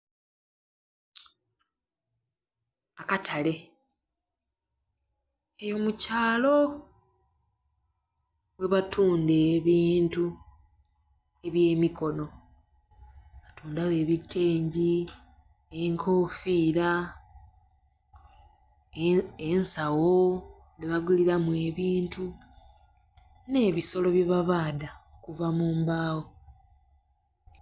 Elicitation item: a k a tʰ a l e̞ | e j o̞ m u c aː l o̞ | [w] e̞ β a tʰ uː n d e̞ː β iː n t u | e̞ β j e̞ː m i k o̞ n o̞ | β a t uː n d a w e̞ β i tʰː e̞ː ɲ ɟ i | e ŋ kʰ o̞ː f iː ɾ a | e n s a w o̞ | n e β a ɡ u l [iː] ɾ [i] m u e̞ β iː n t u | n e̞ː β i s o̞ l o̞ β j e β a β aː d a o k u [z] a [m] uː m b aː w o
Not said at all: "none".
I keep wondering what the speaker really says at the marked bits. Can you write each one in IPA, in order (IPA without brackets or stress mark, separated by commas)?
w, i, a, v, m